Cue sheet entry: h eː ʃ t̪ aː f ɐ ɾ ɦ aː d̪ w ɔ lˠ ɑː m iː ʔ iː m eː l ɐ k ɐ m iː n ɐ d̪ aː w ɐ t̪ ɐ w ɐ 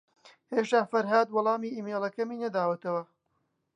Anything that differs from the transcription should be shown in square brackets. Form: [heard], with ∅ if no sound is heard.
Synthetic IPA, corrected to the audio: h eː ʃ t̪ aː f ɐ ɾ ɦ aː d̪ w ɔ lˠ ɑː m iː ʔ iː m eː l ɐ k ɐ m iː n ɐ d̪ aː w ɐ t̪ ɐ w ɐ